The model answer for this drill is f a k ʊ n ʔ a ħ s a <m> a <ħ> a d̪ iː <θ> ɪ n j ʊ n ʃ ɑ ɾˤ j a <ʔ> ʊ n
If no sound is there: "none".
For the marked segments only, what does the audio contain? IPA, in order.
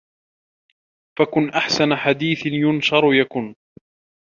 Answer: n, ħ, θ, k

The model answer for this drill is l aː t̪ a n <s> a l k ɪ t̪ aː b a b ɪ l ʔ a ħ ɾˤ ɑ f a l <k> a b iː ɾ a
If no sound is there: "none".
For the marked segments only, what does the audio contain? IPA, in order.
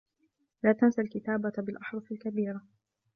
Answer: s, k

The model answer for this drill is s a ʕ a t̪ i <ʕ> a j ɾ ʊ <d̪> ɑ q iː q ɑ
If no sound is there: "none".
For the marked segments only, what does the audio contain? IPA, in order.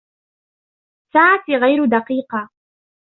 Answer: ɣ, d̪

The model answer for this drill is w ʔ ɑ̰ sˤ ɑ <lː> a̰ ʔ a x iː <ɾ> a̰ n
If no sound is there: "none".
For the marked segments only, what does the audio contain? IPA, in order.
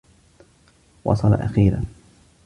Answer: l, ɾ

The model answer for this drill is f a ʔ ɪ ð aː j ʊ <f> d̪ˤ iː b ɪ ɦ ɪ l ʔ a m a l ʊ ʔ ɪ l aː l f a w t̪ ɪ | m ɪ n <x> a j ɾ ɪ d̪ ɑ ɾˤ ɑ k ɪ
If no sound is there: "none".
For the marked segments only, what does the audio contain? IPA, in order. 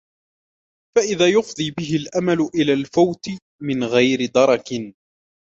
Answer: f, ɣ

